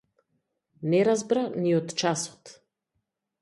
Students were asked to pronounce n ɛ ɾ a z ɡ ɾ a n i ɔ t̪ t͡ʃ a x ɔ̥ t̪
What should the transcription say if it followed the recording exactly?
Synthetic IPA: n ɛ ɾ a z b ɾ a n i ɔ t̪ t͡ʃ a s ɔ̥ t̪